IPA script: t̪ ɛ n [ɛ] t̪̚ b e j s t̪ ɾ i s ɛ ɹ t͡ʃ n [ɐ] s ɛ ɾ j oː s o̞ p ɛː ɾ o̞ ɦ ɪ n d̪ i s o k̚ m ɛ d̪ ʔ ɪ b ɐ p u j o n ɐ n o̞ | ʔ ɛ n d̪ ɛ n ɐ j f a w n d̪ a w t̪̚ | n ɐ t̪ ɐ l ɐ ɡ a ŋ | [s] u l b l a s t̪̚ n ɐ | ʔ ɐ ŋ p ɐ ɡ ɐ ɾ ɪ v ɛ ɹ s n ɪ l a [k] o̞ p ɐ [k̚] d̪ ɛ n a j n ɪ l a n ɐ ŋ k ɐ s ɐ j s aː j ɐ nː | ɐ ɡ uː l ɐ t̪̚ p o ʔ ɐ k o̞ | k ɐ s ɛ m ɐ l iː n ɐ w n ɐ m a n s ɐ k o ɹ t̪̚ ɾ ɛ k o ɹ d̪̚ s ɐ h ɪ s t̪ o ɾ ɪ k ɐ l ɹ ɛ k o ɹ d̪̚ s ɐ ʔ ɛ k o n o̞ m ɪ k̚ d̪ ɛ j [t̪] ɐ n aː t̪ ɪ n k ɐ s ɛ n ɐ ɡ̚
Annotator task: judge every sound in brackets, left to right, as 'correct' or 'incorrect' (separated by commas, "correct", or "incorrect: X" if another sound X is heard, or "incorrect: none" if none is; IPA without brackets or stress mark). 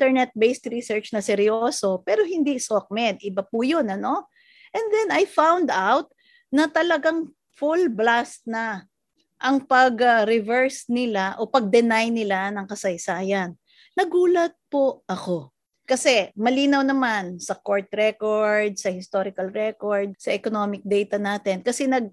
correct, correct, incorrect: f, incorrect: ʔ, incorrect: ɡ̚, correct